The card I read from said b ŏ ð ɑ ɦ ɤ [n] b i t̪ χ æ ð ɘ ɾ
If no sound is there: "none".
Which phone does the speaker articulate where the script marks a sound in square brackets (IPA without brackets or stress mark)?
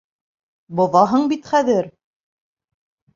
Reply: ɴ